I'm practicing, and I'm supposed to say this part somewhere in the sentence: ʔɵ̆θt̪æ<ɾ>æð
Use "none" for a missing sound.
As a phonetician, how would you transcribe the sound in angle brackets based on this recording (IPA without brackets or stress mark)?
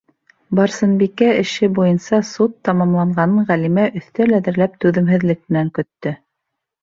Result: l